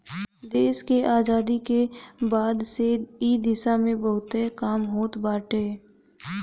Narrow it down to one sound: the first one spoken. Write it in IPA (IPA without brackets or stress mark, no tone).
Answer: d̪